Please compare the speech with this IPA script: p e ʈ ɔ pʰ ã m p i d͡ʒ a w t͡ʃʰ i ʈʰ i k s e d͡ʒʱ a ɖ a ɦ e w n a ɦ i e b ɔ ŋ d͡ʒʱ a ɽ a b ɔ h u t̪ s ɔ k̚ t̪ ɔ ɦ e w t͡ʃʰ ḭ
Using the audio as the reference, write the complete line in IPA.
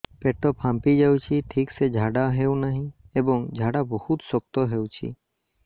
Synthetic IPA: p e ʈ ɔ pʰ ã m p i d͡ʒ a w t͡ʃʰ i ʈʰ i k s e d͡ʒʱ a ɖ a ɦ e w n a ɦ ĩ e b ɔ ŋ d͡ʒʱ a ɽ a b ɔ h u t̪ s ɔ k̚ t̪ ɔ ɦ e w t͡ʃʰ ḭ